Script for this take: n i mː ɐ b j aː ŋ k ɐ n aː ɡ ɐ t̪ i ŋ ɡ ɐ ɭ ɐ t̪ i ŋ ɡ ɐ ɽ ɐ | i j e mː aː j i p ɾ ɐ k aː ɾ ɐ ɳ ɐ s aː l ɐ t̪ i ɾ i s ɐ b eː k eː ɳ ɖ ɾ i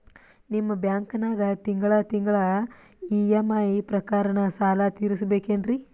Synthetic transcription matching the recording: n i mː ɐ b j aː ŋ k ɐ n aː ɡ ɐ t̪ i ŋ ɡ ɐ ɭ ɐ t̪ i ŋ ɡ ɐ ɭ ɐ | i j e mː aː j i p ɾ ɐ k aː ɾ ɐ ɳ ɐ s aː l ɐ t̪ iː ɾ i s ɐ b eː k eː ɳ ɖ ɾ i